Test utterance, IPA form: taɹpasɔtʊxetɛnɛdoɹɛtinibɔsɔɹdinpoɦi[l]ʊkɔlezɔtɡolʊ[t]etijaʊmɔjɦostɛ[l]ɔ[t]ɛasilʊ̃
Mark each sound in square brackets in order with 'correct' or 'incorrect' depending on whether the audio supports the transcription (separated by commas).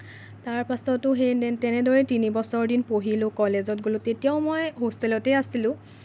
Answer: correct, correct, correct, correct